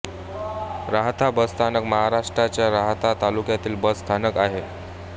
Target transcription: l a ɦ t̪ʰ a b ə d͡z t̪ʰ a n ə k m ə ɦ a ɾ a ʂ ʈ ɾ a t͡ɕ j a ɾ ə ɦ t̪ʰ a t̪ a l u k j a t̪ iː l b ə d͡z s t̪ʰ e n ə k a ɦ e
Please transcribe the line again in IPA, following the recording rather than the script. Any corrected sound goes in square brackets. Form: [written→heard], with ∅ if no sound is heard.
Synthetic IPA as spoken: [l→ɾ] a ɦ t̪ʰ a b ə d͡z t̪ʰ a n ə k m ə ɦ a ɾ a ʂ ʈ ɾ a t͡ɕ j a ɾ [ə→a] ɦ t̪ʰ a t̪ a l u k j a t̪ iː l b ə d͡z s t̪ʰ [e→a] n ə k a ɦ e